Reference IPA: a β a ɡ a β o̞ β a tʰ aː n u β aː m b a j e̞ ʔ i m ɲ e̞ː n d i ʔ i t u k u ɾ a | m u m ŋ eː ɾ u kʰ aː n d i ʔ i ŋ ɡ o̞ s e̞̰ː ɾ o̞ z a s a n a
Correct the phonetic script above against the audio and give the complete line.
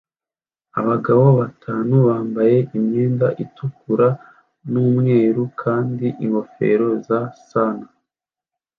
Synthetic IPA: a β a ɡ a β o̞ β a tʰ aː n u β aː m b a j e̞ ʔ i m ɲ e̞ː n d a ʔ i t u k u ɾ a | n u m ŋ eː ɾ u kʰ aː n d i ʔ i ŋ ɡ o̞ f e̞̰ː ɾ o̞ z a s a n a